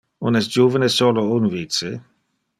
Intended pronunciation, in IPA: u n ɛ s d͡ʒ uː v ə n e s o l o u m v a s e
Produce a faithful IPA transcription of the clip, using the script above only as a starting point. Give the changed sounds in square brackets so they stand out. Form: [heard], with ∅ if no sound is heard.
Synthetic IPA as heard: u n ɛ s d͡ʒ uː v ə n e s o l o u [n] v [i] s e

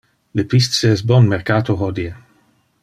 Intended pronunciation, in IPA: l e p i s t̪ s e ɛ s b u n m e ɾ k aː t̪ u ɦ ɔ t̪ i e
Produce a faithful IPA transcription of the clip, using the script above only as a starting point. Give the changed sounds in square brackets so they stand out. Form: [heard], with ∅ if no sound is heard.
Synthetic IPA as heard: l e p i s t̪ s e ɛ s b [ɔ] n m e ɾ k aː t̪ [o] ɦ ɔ [d̪] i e

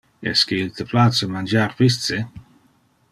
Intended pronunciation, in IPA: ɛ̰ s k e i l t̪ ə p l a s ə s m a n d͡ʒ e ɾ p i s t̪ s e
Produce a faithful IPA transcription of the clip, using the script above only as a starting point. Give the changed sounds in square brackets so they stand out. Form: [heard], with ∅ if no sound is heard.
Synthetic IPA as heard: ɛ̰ s k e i l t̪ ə p l a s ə [∅] m a n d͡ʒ [a] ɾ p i s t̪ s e

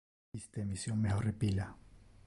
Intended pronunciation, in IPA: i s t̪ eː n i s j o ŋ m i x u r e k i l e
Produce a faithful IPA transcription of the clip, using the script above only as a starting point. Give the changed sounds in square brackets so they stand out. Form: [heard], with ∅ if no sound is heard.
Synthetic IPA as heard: i s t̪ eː [m] i s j o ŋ m [e] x [o] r e [p] i l [a]

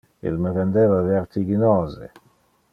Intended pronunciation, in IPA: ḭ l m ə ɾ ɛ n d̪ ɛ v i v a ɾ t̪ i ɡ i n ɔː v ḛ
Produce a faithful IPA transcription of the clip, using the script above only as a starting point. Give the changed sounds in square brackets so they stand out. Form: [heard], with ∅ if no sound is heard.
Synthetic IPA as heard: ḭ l m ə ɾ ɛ n d̪ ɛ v [a] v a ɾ t̪ i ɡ i n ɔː [z] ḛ

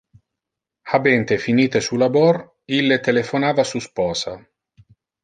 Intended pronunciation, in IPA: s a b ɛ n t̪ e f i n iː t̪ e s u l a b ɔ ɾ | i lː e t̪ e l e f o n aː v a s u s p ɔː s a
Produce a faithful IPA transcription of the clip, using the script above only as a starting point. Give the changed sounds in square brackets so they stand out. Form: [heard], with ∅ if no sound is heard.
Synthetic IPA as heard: [h] a b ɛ n t̪ e f i n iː t̪ e s u l a b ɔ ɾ | i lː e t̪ e l e f o n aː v a s u s p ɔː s a

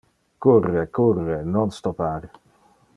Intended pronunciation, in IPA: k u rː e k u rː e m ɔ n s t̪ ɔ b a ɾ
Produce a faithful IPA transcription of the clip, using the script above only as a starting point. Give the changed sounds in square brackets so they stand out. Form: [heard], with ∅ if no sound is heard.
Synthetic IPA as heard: k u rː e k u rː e [n] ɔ n s t̪ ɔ [p] a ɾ

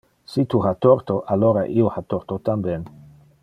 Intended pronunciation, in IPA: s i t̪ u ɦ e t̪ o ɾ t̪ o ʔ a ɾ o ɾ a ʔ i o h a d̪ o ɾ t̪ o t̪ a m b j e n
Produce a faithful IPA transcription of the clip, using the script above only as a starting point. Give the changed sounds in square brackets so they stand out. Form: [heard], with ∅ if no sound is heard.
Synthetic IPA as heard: s i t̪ u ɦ [a] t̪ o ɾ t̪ o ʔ a [l] o ɾ a ʔ i o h a [t̪] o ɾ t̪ o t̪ a m b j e n

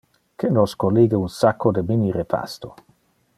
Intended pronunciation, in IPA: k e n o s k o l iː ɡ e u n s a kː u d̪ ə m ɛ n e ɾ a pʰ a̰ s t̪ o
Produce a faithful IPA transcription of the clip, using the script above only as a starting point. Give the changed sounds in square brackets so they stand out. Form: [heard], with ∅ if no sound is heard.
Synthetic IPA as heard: k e n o s k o l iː ɡ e u n s a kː [o] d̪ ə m [i] n [i] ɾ [e] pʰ a̰ s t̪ o

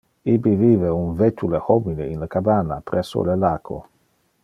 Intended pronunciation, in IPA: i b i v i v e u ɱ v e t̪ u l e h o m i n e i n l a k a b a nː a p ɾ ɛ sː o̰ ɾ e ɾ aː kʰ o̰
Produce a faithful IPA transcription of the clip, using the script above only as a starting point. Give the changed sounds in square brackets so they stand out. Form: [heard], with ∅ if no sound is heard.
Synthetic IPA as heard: i b i v i v e u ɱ v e t̪ u l e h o m i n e i n l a k a b a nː a p ɾ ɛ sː o̰ [l] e [l] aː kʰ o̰

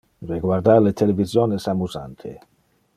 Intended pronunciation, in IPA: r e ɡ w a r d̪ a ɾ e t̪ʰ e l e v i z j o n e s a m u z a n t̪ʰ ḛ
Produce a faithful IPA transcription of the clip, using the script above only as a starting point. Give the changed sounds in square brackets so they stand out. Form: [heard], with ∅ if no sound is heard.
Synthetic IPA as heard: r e ɡ w a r d̪ a [l] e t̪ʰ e l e v i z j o n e s a m u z a n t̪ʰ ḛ

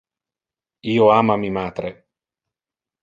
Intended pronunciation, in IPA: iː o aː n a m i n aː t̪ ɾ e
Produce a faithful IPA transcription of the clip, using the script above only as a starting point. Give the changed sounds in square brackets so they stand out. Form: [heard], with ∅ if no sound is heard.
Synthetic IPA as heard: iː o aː [m] a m i [m] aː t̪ ɾ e

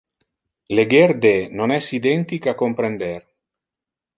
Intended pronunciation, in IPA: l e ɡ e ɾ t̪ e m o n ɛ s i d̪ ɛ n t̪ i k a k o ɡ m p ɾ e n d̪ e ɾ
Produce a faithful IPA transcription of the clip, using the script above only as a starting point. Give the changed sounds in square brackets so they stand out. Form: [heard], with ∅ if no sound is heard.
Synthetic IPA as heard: l e ɡ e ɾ [d̪] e [n] o n ɛ s i d̪ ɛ n t̪ i k a k o [∅] m p ɾ e n d̪ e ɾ

